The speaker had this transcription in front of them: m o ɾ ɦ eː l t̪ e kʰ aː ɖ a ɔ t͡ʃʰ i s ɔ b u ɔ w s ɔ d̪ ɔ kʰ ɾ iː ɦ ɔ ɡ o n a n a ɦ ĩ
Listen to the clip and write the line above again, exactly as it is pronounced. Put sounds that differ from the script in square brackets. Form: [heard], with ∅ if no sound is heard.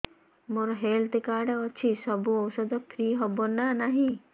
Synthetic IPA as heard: m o ɾ ɦ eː l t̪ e [k] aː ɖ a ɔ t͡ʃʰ i s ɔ b u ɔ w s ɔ d̪ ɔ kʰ ɾ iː ɦ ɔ [b] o n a n a ɦ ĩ